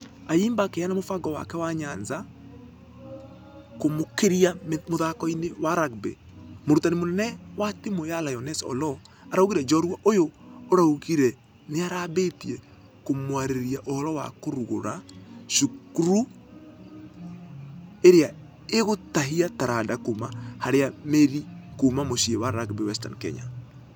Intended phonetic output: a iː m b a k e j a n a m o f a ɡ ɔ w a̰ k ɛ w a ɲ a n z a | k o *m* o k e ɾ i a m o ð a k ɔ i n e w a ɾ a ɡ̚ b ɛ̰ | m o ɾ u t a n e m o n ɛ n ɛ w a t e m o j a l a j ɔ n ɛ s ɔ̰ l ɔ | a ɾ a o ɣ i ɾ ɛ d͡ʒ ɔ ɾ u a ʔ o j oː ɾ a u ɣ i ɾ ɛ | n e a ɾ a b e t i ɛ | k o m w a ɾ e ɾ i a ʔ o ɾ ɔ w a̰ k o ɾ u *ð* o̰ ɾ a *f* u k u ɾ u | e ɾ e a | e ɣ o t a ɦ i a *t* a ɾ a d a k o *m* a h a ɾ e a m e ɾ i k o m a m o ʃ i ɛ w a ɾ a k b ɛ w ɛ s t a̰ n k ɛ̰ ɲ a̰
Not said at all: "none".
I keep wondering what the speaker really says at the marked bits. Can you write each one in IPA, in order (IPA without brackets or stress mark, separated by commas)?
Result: m, ɣ, ʃ, t, m